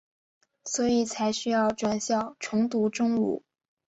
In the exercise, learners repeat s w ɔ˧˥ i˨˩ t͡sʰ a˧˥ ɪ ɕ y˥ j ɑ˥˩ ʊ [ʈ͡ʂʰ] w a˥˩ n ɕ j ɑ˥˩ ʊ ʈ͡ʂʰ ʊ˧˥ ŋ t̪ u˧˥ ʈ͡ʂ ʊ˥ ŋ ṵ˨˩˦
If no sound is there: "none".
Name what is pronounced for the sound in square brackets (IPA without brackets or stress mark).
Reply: ʈ͡ʂ